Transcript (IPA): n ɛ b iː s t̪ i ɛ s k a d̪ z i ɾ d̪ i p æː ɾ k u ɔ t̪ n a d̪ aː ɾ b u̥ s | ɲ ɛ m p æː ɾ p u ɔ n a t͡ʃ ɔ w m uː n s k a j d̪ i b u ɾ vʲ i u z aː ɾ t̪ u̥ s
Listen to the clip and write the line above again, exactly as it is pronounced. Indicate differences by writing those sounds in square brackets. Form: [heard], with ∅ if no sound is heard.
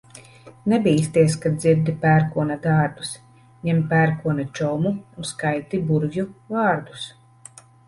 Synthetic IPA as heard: n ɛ b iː s t̪ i ɛ s k a d̪ z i ɾ d̪ i p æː ɾ k u ɔ [∅] n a d̪ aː ɾ b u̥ s | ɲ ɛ m p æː ɾ [k] u ɔ n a t͡ʃ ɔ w m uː n s k a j [t̪] i b u ɾ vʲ [j] u [v] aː ɾ [d̪] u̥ s